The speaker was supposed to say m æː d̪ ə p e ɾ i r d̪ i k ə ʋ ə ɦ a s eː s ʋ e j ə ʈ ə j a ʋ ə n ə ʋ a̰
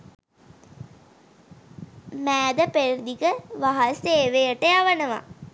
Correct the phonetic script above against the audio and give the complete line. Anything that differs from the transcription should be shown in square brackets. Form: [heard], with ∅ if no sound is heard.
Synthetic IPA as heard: m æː d̪ ə p e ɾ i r d̪ i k ə ʋ [a] ɦ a s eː [∅] ʋ e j ə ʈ ə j a ʋ ə n ə ʋ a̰